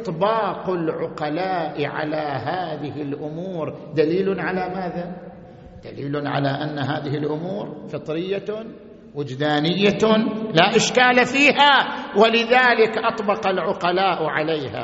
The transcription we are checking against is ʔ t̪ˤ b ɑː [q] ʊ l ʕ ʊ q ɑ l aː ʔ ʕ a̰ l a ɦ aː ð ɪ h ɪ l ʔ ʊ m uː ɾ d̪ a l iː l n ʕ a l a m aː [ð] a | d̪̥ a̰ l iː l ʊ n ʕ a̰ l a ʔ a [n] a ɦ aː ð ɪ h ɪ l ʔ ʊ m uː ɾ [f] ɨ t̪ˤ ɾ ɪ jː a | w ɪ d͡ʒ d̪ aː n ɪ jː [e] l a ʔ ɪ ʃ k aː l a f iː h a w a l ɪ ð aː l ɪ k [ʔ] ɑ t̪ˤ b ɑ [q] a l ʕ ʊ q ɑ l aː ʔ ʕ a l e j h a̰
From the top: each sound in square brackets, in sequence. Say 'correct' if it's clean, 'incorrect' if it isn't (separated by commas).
correct, correct, incorrect, correct, incorrect, correct, correct